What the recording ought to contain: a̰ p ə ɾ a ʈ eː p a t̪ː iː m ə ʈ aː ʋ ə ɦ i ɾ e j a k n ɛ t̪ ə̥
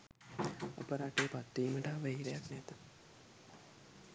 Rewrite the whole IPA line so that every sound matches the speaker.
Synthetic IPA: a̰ p ə ɾ a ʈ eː p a t̪ː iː m ə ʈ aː ʋ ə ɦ i ɾ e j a k n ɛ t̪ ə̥